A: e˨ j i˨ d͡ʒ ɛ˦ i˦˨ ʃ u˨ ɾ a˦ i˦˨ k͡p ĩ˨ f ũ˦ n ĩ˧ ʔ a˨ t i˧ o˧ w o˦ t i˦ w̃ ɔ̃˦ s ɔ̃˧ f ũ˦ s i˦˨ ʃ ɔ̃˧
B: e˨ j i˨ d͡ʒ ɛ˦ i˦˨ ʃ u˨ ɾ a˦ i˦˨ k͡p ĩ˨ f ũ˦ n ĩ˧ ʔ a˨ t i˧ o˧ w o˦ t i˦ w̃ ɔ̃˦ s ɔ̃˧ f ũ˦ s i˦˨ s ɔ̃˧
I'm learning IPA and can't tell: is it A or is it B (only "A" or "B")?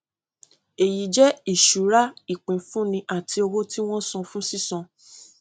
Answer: B